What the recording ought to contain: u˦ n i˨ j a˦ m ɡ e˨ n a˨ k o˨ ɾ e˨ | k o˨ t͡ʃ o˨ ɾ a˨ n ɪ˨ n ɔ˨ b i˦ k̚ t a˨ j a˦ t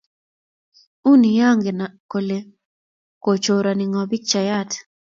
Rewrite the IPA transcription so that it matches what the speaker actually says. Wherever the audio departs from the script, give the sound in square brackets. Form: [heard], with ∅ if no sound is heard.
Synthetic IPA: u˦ n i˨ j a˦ [ŋ] ɡ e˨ n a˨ k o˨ [l] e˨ | k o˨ t͡ʃ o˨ ɾ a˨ n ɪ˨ [ŋ] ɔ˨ b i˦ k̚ [t͡ʃ] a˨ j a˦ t